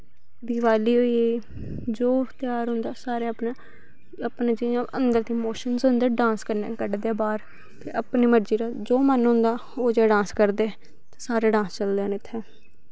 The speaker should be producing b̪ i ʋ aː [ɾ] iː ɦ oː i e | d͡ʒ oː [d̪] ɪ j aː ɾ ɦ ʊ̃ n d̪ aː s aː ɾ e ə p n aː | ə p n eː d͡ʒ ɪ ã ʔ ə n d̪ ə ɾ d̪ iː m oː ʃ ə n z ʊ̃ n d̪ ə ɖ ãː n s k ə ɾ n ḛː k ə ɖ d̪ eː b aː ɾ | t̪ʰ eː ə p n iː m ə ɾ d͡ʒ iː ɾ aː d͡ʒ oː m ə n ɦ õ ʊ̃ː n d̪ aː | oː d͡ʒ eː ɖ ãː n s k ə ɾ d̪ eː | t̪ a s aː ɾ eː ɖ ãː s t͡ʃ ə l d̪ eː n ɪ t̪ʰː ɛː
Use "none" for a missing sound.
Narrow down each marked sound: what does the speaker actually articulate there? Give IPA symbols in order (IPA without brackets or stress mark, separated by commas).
l, t̪